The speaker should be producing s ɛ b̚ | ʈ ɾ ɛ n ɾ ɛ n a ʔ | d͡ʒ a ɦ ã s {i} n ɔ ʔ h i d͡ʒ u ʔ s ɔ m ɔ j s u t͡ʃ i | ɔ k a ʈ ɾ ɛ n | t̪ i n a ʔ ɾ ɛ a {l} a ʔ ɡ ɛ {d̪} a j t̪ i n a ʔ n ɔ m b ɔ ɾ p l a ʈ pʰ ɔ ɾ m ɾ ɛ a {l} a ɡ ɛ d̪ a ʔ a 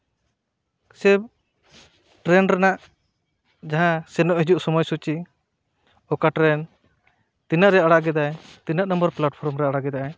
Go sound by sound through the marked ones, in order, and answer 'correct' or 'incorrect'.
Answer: incorrect, incorrect, correct, incorrect

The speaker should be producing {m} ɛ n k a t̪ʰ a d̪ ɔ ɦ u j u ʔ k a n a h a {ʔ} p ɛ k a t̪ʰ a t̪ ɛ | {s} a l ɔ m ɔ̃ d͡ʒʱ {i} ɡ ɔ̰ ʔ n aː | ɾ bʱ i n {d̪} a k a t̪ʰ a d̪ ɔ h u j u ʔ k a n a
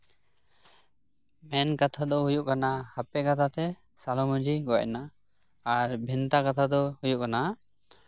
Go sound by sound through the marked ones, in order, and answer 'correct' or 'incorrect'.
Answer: correct, incorrect, correct, correct, incorrect

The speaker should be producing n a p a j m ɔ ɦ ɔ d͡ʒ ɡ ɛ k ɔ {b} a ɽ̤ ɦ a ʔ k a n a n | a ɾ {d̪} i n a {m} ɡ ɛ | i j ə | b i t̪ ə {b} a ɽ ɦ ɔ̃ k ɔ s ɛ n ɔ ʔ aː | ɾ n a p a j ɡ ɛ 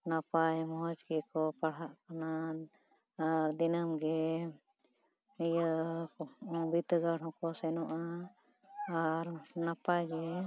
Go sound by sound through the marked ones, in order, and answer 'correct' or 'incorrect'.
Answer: incorrect, correct, correct, incorrect

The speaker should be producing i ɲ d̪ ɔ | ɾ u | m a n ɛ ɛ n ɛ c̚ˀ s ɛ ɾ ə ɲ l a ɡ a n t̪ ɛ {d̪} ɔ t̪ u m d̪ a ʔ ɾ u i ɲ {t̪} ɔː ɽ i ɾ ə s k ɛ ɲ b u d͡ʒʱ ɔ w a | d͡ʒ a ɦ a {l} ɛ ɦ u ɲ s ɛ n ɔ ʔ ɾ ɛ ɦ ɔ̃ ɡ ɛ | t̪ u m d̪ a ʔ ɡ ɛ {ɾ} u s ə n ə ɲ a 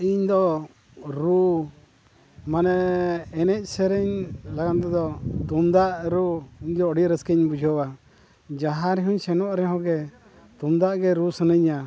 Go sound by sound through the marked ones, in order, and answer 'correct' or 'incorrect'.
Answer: correct, incorrect, incorrect, correct

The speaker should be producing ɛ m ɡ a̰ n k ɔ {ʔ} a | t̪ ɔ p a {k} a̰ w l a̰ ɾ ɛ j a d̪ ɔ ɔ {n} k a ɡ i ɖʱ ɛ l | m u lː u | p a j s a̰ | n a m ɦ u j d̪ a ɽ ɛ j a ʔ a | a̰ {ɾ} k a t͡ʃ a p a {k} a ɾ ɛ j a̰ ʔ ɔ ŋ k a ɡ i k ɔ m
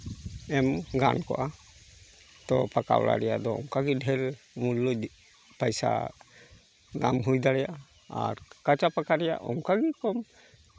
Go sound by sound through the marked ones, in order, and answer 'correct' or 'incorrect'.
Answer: correct, correct, incorrect, correct, correct

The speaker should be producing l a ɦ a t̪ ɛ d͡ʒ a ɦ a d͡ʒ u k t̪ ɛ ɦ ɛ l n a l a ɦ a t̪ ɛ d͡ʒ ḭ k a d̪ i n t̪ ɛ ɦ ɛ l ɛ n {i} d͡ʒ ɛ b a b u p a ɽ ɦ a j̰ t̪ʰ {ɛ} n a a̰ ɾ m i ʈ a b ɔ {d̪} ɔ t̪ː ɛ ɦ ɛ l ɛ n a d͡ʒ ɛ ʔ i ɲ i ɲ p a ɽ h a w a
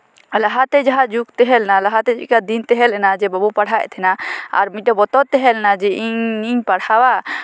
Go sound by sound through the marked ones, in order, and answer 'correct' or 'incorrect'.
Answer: incorrect, correct, incorrect

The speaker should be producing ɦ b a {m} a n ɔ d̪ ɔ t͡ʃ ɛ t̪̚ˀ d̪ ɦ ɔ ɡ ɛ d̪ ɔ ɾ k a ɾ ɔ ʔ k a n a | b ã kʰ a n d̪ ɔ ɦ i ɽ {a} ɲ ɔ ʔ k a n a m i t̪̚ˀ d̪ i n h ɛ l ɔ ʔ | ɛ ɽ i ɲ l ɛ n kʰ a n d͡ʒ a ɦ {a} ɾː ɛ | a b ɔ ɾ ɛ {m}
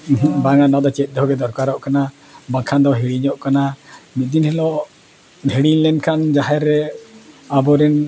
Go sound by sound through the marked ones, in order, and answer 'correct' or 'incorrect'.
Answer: incorrect, incorrect, incorrect, incorrect

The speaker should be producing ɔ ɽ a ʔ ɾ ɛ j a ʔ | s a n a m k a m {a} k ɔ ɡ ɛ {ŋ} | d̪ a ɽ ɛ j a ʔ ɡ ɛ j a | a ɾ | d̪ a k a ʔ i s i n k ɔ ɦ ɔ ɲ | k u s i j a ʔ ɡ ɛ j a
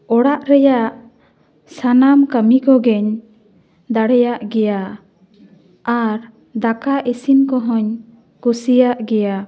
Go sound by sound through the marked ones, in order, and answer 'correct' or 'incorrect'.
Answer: incorrect, incorrect

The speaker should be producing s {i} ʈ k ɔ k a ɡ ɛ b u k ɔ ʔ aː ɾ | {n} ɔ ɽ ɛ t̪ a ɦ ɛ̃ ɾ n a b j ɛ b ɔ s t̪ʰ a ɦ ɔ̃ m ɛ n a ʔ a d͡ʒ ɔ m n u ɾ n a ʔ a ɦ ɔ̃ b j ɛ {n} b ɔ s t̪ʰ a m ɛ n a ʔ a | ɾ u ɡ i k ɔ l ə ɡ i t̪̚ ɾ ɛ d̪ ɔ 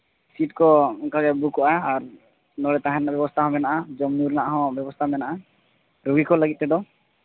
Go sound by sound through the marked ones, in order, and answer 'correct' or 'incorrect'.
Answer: correct, correct, incorrect

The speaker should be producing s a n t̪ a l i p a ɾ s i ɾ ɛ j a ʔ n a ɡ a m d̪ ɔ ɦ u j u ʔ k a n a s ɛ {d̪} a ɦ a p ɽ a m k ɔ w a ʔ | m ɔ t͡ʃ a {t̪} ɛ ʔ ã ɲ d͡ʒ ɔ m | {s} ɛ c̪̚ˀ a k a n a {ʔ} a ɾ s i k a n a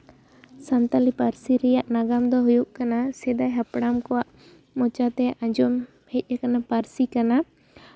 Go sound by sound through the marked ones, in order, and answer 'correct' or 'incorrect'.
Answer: correct, correct, incorrect, incorrect

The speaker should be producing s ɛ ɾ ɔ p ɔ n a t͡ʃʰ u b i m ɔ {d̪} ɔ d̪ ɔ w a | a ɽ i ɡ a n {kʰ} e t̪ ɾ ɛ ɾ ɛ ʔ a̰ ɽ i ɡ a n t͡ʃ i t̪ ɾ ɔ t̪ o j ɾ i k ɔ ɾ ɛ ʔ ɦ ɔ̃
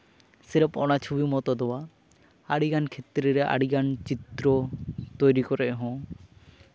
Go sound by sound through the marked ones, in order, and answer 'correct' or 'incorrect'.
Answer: incorrect, correct

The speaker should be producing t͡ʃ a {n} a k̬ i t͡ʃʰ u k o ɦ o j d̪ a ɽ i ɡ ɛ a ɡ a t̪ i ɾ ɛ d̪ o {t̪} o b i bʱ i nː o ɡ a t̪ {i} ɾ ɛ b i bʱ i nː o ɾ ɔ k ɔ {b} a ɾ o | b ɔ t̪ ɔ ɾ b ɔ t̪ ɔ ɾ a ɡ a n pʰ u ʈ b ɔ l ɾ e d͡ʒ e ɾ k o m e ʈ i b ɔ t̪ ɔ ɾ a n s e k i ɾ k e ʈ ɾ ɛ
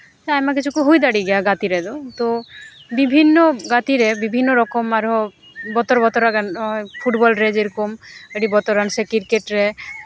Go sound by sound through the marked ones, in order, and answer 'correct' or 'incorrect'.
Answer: incorrect, correct, correct, incorrect

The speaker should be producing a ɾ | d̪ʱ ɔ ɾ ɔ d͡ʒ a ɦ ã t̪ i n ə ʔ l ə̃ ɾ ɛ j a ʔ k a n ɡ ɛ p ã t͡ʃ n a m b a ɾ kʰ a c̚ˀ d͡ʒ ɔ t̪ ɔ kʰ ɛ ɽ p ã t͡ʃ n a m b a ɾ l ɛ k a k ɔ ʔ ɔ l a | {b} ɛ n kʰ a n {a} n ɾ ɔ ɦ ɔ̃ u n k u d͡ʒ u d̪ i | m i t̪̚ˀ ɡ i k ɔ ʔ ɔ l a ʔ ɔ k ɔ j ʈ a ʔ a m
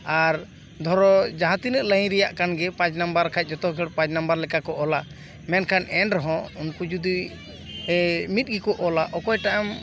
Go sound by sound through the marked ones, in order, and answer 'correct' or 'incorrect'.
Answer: incorrect, incorrect

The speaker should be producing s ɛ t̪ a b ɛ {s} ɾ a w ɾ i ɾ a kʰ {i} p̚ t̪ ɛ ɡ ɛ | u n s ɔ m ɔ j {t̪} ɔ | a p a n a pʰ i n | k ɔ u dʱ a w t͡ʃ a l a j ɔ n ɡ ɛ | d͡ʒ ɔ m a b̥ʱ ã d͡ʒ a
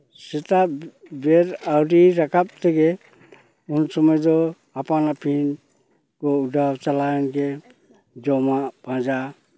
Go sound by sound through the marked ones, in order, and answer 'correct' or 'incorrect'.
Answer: incorrect, incorrect, incorrect

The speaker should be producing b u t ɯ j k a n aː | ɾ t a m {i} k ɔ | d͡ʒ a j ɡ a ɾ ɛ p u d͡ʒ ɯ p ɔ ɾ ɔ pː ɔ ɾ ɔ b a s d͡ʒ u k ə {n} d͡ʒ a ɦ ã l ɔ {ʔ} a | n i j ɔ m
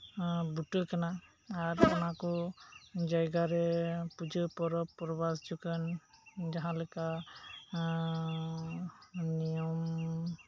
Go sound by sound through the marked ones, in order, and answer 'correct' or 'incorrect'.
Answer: incorrect, correct, incorrect

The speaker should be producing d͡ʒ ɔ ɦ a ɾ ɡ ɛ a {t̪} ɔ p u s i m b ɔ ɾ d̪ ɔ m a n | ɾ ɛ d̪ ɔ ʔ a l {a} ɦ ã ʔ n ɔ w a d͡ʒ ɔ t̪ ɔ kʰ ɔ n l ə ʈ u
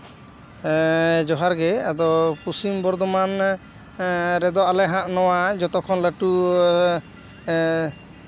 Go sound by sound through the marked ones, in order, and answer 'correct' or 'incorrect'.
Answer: incorrect, incorrect

